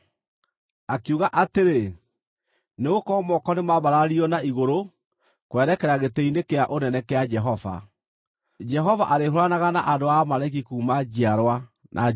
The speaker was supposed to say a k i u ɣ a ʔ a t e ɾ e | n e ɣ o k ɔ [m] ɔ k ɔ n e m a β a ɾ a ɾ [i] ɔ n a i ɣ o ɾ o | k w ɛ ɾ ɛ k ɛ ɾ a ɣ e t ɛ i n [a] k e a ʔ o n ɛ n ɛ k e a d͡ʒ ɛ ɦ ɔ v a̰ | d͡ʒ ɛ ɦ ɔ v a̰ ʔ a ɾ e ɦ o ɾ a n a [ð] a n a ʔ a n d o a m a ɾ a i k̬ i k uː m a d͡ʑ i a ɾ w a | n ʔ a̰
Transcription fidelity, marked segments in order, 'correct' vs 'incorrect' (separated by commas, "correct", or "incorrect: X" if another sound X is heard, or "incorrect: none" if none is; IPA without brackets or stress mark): correct, correct, incorrect: e, incorrect: ɣ